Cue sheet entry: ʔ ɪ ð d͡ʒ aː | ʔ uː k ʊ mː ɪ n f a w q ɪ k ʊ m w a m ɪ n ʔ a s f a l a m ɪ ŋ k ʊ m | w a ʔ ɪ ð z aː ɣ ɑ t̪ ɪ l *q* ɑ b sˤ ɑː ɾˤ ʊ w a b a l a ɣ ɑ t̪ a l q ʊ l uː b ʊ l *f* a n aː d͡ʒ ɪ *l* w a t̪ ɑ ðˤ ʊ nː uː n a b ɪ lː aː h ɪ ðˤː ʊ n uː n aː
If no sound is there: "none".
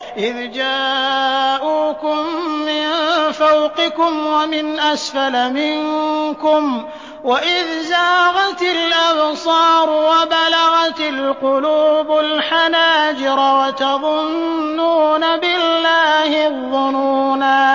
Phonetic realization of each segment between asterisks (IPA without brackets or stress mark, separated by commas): ʔ, ħ, ɾ